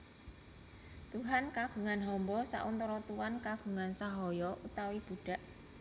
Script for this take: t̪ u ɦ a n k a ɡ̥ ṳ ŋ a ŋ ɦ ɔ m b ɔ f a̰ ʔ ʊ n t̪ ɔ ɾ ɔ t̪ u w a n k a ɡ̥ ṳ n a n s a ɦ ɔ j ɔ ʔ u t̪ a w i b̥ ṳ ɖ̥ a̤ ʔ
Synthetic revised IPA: t̪ u ɦ a n k a ɡ̥ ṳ ŋ a n ɦ ɔ m b ɔ s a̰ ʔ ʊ n t̪ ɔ ɾ ɔ t̪ u w a n k a ɡ̥ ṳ ŋ a n s a ɦ ɔ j ɔ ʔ u t̪ a w i b̥ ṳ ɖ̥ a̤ ʔ